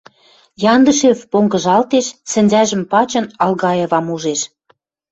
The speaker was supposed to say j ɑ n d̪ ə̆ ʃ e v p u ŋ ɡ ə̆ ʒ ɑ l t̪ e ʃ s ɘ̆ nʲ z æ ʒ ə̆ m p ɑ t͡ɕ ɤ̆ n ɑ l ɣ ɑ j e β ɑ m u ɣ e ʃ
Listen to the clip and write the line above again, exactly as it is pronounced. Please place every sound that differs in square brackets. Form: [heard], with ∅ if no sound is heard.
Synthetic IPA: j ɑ n d̪ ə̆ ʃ e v p [o] ŋ ɡ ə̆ ʒ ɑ l t̪ e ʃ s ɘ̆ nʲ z æ ʒ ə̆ m p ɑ t͡ɕ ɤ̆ n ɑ l ɣ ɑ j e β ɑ m u [ʒ] e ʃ